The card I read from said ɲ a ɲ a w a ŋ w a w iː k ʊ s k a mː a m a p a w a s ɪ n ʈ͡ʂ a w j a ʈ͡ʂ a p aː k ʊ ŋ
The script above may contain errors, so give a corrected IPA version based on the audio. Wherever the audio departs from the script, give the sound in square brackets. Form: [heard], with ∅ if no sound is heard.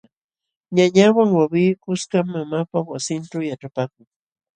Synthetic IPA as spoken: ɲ a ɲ a w a ŋ w a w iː k ʊ s k a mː a m a p a w a s ɪ n ʈ͡ʂ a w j a ʈ͡ʂ a p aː k ʊ ŋ

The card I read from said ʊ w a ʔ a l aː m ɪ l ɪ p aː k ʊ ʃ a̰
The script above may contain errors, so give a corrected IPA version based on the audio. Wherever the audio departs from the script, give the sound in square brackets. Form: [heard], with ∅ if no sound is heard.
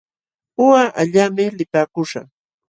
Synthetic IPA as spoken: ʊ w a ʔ a [ʎ] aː m ɪ l ɪ p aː k ʊ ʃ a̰

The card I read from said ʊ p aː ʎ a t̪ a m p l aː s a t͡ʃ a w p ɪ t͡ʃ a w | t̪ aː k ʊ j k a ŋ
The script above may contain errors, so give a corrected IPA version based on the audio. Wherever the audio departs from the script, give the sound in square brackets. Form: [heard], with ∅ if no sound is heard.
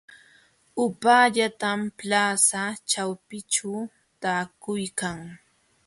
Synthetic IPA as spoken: ʊ p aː ʎ a t̪ a m p l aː s a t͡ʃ a w p ɪ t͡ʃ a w | t̪ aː k ʊ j k a ŋ

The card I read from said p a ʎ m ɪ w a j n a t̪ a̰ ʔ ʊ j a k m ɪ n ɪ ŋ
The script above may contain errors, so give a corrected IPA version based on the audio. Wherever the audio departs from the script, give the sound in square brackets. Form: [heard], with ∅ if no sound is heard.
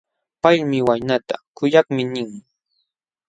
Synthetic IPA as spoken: p a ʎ m ɪ w a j n a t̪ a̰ [k] ʊ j a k m ɪ n ɪ ŋ

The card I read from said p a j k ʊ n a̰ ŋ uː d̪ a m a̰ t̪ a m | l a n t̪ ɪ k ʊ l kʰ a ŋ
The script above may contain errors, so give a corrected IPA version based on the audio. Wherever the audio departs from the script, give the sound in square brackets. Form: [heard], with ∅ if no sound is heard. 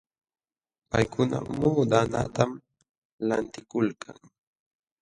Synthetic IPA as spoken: p a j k ʊ n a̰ [m] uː d̪ a [n] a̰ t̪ a m | l a n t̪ ɪ k ʊ l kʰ a ŋ

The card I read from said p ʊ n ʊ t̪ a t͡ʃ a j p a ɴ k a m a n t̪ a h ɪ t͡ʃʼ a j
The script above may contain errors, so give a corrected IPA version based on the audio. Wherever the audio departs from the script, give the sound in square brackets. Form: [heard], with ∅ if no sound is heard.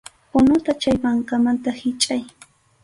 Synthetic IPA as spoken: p ʊ n ʊ t̪ a t͡ʃ a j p a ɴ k a m a n t̪ a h ɪ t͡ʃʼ a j

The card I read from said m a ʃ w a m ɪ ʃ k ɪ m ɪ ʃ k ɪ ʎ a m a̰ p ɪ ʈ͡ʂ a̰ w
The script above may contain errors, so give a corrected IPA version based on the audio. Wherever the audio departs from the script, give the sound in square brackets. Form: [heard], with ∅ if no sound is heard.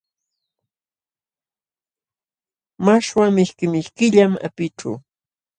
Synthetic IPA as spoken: m a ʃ w a m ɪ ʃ k ɪ m ɪ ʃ k ɪ ʎ a m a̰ p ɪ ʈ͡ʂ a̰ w

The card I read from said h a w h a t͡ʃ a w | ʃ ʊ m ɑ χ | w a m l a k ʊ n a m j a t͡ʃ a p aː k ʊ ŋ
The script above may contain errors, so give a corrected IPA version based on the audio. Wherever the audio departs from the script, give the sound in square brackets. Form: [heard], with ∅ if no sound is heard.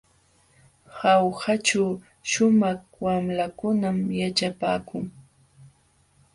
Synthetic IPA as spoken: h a w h a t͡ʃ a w | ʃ ʊ m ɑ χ | w a m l a k ʊ n a m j a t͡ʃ a p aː k ʊ ŋ

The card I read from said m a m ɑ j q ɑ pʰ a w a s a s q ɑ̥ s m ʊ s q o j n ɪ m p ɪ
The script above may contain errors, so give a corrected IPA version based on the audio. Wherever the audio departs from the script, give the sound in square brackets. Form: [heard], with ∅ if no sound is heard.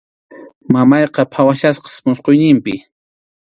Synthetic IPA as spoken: m a m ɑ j q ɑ pʰ a w a [ʃ] a s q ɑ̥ s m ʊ s q o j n ɪ m p ɪ

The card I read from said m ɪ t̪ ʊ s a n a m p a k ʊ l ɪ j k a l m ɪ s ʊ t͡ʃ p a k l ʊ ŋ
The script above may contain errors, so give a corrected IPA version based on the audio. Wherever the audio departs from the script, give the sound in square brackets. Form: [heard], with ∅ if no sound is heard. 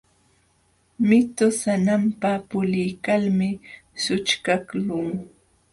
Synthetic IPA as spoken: m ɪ t̪ ʊ s a n a m p a [p] ʊ l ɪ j k a l m ɪ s ʊ t͡ʃ [k] a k l ʊ ŋ

